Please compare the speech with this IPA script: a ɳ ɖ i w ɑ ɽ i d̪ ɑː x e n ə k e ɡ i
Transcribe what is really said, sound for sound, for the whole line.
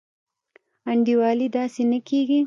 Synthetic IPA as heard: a ɳ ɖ i w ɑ l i d̪ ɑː s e n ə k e ɡ i